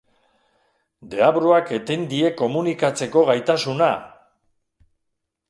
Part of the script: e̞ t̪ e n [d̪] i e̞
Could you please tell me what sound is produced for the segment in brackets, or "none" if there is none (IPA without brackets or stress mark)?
d̪